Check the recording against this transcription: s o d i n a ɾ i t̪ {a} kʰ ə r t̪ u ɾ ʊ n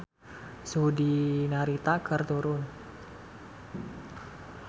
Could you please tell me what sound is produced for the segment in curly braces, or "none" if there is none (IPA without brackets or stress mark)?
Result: a